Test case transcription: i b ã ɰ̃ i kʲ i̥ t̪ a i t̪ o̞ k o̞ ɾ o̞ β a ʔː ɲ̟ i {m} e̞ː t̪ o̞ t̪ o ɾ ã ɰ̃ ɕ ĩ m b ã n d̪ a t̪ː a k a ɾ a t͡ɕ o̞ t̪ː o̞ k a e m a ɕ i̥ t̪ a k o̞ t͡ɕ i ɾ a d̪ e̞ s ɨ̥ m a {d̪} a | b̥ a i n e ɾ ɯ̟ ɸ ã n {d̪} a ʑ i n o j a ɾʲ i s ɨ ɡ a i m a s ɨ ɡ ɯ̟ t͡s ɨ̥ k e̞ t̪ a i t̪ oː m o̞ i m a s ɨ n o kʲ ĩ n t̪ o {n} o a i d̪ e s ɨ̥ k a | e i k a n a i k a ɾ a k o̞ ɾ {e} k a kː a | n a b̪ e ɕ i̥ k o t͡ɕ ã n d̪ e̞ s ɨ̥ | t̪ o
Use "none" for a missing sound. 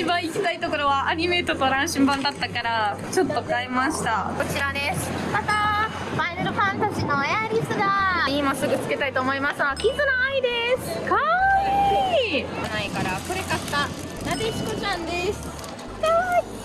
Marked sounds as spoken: m, t̪, t̪, n, e

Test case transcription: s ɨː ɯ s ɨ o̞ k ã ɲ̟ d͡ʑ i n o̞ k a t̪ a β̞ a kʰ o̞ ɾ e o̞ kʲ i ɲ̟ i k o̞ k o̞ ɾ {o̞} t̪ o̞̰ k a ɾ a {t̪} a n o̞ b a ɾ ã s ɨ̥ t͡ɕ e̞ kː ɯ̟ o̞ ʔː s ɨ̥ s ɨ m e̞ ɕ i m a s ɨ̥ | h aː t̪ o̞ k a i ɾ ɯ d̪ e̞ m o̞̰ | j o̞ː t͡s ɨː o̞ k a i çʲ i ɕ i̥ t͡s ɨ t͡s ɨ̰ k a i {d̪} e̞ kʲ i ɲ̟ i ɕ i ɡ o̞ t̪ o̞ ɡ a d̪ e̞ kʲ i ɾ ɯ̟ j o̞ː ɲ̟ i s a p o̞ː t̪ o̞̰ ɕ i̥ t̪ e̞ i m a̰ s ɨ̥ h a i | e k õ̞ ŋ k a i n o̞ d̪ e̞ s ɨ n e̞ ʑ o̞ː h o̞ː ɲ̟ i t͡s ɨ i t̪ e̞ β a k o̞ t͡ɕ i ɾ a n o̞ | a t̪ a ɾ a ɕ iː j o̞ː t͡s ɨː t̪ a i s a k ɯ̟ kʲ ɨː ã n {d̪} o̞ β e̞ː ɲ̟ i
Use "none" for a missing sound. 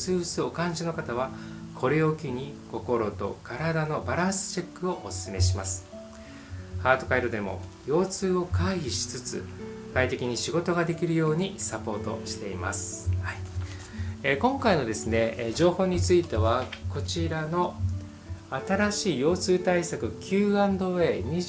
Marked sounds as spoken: o̞, d̪, t̪, d̪

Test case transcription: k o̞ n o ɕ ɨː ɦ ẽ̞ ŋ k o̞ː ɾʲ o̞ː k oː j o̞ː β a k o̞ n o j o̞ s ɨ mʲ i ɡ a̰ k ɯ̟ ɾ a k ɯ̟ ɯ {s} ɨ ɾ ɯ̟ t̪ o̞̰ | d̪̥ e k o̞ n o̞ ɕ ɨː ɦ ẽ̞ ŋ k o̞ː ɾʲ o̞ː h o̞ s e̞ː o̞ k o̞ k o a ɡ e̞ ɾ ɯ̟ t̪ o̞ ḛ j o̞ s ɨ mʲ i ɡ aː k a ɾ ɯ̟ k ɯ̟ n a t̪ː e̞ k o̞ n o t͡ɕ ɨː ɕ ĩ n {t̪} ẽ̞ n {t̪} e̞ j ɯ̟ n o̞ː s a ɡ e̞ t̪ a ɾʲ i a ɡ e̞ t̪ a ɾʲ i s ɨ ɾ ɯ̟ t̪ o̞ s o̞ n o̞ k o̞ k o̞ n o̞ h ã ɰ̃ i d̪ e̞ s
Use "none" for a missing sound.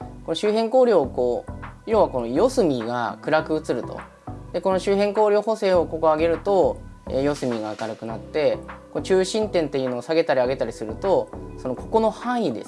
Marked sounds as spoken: t͡s, t̪, t̪

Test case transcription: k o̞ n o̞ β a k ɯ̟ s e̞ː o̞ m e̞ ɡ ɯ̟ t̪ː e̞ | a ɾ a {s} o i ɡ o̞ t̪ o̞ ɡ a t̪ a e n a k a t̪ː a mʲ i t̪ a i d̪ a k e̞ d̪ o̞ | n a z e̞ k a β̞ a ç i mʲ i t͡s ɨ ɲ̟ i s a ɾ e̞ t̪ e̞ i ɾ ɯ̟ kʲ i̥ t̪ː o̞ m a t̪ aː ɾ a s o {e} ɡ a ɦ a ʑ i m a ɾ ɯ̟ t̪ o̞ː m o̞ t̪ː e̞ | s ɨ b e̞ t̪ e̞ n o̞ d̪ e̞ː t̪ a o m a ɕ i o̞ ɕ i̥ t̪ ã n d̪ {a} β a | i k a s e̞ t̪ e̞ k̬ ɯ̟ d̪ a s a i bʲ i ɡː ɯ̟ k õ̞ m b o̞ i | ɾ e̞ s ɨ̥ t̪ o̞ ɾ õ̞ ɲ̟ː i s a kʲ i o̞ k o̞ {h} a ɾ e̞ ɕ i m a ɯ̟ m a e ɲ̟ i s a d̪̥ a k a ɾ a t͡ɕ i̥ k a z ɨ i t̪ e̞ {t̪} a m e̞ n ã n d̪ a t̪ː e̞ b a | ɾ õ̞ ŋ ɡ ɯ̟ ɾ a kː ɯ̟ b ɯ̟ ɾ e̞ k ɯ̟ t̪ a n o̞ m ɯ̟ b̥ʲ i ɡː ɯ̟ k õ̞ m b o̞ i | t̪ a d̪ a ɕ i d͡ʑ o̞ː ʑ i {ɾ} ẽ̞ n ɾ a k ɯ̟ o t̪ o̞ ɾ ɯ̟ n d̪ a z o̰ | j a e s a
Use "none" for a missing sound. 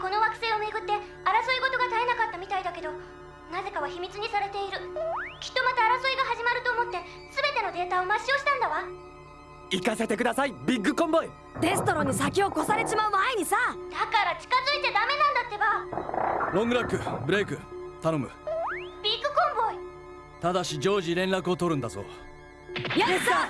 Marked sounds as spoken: s, i, a, s, d̪, ɾ

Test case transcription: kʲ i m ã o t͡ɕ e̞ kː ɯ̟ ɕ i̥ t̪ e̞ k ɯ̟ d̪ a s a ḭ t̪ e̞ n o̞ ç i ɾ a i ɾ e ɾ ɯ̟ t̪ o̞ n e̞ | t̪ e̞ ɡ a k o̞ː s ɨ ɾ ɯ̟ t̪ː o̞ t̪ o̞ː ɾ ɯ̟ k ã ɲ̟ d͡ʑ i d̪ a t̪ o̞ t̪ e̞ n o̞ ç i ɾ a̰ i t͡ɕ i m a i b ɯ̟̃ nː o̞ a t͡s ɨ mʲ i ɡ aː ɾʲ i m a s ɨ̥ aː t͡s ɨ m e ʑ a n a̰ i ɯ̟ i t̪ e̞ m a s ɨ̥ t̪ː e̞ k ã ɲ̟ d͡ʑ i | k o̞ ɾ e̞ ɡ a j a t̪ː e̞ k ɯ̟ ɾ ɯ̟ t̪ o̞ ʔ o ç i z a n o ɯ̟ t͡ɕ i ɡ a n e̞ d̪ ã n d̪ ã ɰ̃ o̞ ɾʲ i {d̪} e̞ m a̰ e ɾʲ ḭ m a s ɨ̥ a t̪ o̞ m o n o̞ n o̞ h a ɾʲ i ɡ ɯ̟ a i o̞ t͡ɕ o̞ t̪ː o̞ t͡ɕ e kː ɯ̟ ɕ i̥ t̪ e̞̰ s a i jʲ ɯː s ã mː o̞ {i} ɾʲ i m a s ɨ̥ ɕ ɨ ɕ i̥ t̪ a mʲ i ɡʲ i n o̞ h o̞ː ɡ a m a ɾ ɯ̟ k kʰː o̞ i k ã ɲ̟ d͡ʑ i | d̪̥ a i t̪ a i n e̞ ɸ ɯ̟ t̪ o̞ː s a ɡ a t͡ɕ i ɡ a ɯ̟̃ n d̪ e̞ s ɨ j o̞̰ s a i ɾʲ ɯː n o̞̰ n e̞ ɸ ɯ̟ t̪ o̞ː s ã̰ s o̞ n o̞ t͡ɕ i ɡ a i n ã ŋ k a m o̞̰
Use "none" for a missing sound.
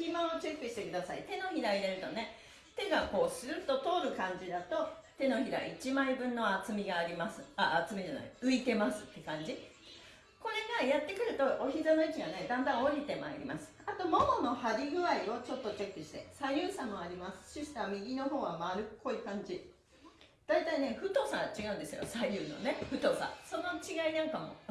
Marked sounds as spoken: t̪, a

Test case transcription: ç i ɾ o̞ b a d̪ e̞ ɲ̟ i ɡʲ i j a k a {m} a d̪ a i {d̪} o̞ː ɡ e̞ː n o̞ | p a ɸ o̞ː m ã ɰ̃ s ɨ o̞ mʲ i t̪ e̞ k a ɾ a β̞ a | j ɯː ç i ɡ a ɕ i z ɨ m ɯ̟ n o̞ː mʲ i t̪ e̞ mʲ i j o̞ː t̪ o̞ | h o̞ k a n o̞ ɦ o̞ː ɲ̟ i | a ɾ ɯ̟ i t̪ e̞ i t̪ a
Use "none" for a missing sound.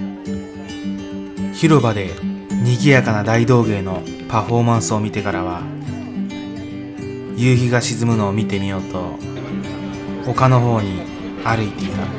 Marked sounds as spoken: n, d̪

